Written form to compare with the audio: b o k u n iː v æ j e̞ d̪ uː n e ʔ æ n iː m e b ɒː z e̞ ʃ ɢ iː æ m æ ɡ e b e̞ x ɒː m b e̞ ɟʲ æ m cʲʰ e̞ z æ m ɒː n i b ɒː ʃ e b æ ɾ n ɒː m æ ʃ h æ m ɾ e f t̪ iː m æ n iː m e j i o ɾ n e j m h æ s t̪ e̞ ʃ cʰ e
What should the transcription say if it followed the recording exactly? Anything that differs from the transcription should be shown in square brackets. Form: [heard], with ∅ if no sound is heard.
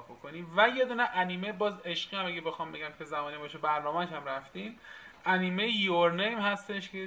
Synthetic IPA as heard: b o k [o] n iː v æ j e̞ d̪ uː n e ʔ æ n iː m e b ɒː z e̞ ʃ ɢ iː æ m æ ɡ e b e̞ x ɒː m b e̞ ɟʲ æ m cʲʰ e̞ z æ m ɒː n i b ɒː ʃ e b æ ɾ n ɒː m æ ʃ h æ m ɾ [æ] f t̪ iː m æ n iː m e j [j] o ɾ n e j m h æ s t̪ e̞ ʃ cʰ e